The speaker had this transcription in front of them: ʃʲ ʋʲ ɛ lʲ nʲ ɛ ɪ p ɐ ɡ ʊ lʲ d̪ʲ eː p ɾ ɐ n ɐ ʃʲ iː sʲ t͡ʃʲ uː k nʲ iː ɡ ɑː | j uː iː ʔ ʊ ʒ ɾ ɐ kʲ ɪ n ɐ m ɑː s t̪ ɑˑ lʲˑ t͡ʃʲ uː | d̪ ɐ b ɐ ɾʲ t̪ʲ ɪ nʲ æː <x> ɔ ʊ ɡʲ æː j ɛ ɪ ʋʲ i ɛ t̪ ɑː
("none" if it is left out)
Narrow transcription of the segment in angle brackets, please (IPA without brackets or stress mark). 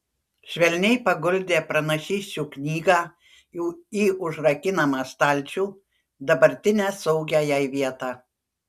s